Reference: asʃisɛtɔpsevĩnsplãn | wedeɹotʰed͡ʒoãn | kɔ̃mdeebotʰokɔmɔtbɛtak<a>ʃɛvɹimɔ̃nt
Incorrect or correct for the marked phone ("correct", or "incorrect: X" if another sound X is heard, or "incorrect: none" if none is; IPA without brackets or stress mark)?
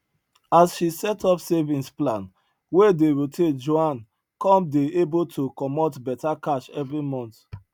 correct